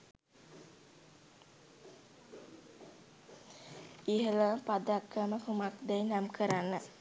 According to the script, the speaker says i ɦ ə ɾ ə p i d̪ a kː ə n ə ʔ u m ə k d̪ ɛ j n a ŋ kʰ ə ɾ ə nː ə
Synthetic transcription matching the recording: i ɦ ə l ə p a d̪ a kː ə m ə k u m a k d̪ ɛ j n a m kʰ ə ɾ a nː ə